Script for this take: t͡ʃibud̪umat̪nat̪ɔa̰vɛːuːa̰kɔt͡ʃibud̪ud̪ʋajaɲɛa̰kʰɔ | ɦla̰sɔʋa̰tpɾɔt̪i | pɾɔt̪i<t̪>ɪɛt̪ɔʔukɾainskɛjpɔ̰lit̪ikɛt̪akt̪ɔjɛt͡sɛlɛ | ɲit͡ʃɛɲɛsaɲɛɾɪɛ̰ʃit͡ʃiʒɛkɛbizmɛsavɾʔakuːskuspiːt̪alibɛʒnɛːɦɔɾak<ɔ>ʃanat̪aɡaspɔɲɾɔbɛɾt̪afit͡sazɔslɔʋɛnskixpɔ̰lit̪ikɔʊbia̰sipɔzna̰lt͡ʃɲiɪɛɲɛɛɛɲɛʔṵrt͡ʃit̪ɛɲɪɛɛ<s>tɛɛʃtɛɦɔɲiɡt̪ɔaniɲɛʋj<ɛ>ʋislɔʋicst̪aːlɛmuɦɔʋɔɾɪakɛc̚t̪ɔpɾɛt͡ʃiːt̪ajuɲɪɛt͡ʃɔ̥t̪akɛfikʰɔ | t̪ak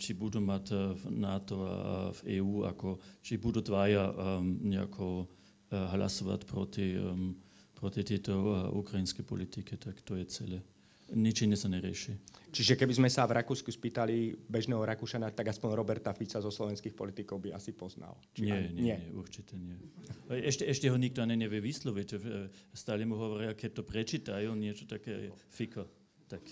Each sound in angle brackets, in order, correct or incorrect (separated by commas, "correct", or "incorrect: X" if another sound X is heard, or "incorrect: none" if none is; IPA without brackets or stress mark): correct, incorrect: u, incorrect: ʃ, correct